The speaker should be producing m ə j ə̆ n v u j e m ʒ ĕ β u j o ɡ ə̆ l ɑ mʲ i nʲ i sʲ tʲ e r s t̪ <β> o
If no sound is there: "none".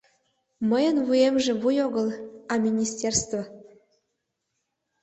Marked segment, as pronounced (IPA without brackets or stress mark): v